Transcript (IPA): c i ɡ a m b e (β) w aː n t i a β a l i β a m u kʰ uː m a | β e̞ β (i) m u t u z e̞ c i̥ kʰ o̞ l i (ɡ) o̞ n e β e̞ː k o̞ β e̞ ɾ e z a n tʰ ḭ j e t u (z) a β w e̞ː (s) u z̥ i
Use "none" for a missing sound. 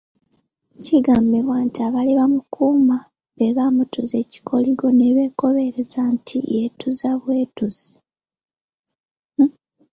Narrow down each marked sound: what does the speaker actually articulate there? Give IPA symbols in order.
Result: β, a, ɡ, z, t

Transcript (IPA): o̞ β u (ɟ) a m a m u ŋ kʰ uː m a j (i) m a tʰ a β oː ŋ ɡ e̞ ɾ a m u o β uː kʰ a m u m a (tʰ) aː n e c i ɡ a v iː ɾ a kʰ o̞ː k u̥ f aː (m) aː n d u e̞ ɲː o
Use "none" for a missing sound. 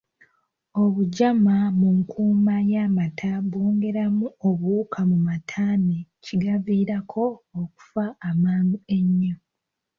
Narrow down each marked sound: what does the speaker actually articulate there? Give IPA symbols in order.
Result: ɟ, a, tʰ, m

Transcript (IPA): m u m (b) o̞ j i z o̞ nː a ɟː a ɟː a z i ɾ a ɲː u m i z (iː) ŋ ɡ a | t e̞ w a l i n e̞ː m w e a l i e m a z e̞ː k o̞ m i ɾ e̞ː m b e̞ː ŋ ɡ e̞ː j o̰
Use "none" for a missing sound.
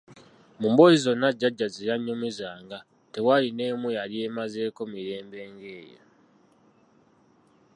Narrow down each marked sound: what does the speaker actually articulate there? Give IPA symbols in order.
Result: b, aː

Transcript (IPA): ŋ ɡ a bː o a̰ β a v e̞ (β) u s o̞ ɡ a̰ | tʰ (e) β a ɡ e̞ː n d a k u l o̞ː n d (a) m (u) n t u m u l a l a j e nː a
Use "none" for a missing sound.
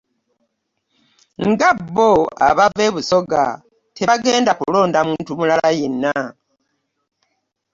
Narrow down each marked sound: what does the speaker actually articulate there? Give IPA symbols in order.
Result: β, e, a, uː

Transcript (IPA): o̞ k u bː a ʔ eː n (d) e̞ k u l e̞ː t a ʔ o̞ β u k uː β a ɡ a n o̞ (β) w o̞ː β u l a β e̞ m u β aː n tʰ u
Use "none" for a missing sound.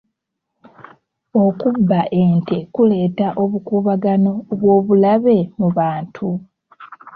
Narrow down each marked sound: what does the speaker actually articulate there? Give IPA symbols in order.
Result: t, β

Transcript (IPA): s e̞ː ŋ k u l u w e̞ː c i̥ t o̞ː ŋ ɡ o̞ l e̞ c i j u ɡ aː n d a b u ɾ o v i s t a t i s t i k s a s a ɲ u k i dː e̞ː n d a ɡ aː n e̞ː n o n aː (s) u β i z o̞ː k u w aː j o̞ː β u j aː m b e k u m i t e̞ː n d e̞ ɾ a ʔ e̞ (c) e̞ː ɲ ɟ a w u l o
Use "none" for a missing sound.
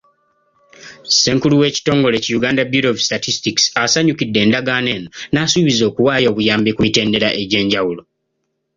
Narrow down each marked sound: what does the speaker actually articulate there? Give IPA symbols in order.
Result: s, ɟ

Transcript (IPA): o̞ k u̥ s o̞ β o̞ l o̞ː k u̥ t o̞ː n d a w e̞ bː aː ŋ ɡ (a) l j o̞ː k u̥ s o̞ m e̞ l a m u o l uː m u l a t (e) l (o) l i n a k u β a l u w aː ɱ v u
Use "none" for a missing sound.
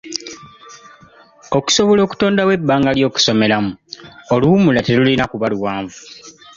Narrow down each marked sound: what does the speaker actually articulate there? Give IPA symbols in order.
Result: a, e, u

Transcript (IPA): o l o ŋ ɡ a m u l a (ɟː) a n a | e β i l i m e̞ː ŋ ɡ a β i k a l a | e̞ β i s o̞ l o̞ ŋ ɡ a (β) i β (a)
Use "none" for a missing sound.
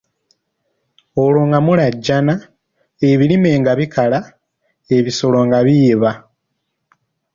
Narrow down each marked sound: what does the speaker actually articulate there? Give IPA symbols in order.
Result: ɟː, β, a

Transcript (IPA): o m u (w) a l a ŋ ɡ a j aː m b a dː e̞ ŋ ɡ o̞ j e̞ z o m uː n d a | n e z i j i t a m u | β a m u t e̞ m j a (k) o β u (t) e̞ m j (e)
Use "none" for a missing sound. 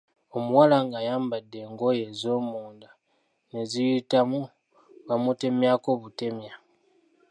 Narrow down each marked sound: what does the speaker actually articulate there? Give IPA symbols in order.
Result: w, k, t, a

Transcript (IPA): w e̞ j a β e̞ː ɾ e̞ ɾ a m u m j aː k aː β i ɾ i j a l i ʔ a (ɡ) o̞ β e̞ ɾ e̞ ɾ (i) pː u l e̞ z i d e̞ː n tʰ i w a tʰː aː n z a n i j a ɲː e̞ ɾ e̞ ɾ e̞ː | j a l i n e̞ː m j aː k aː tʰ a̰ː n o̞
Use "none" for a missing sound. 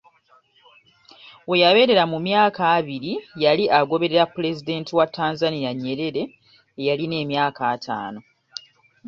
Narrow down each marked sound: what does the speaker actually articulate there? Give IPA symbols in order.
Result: ɡ, a

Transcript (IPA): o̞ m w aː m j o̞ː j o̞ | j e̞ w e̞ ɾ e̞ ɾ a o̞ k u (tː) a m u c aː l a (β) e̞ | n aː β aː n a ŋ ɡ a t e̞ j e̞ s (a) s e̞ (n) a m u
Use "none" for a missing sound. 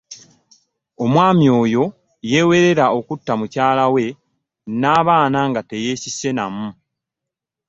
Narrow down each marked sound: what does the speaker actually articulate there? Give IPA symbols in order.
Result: tː, w, i, n

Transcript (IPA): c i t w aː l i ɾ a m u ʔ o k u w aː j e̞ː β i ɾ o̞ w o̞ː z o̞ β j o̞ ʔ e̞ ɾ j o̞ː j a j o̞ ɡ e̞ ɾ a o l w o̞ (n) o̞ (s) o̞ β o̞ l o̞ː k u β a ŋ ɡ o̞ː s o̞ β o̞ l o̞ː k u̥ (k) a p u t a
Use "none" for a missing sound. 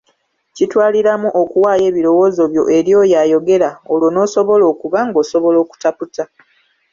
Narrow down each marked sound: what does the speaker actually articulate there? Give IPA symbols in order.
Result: n, s, t

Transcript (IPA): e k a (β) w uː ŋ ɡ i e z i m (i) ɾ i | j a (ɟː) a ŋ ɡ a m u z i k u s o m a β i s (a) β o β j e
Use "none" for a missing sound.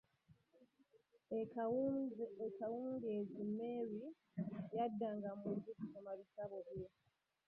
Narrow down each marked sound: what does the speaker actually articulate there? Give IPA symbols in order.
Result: none, e, dː, a

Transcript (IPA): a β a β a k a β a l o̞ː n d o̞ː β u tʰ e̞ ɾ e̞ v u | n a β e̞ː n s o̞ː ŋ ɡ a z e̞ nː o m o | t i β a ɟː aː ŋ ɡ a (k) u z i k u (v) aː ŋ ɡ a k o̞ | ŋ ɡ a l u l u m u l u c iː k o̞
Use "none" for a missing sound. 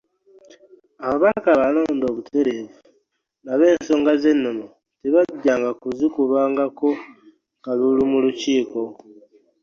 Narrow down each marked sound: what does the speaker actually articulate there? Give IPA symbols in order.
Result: k, β

